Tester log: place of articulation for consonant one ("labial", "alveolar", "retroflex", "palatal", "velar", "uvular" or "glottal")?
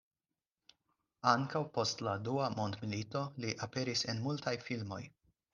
velar